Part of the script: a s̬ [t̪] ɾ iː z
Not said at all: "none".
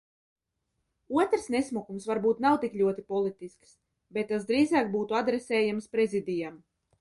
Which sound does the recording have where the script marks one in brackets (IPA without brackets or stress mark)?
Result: d̪